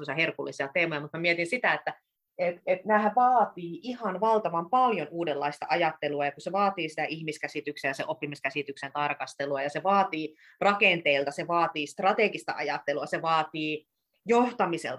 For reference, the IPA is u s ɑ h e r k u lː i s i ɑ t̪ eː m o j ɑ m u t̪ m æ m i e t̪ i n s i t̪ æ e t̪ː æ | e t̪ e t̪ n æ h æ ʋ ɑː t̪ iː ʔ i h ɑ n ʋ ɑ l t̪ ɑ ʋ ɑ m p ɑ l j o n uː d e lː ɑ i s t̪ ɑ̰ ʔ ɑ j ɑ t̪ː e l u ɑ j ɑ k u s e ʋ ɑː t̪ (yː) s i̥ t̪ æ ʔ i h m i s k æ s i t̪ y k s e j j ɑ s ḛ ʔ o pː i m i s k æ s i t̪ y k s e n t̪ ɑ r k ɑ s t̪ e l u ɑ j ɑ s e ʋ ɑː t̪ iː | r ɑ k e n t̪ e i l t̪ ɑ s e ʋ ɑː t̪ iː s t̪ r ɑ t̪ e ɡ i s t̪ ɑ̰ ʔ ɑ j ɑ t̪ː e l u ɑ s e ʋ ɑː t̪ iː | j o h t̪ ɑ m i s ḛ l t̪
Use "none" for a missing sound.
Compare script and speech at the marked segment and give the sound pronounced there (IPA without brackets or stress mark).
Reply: iː